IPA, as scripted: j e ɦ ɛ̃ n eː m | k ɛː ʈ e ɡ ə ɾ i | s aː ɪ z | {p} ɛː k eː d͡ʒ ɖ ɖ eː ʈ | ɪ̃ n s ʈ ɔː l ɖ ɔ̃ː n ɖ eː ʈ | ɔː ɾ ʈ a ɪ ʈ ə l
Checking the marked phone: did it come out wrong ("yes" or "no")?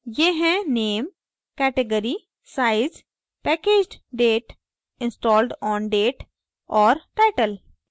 no